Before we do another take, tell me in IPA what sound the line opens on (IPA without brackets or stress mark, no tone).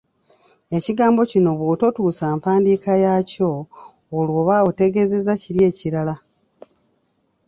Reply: e̞